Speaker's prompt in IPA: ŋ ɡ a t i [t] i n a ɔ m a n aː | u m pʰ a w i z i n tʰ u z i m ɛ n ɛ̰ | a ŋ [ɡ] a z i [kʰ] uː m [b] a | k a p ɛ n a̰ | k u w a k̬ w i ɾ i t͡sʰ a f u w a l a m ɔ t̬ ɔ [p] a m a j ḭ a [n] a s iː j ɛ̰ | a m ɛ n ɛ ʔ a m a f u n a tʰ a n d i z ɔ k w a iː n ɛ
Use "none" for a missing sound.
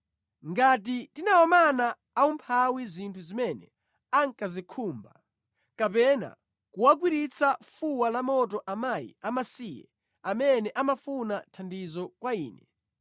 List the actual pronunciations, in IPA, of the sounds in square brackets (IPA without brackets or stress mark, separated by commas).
t, k, kʰ, b, ʔ, m